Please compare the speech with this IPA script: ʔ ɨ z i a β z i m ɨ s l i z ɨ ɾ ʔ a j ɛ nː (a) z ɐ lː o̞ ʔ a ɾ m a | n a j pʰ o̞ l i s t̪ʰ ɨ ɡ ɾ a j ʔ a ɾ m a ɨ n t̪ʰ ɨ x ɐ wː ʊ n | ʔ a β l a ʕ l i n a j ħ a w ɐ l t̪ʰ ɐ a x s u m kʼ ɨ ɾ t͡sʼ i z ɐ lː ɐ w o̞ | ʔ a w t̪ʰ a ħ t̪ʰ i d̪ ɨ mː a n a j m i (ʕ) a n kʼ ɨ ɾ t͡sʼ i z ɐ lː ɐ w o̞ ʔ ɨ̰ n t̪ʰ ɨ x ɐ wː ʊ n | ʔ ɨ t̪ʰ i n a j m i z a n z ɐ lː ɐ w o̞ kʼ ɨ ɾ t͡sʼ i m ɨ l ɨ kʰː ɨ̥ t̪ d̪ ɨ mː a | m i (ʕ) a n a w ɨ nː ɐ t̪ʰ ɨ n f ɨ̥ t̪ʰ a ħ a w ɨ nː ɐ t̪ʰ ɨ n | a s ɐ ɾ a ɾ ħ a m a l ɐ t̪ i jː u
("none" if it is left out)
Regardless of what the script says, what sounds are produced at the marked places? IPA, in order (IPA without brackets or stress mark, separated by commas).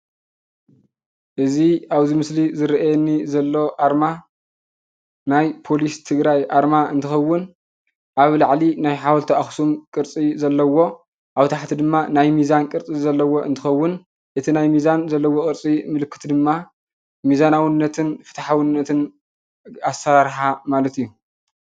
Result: i, z, z